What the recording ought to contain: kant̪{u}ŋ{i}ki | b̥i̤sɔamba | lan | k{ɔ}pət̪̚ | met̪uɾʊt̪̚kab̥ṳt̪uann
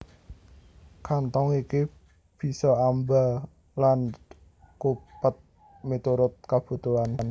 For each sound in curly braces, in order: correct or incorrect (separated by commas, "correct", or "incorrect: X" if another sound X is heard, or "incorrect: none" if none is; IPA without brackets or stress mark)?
incorrect: ɔ, correct, incorrect: u